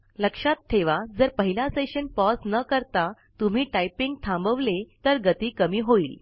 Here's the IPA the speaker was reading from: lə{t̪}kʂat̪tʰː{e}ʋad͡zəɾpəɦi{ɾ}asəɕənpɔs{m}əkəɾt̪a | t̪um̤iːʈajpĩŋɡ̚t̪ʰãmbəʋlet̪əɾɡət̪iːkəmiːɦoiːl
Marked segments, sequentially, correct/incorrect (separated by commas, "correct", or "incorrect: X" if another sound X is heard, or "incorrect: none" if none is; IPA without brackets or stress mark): incorrect: none, correct, incorrect: l, incorrect: n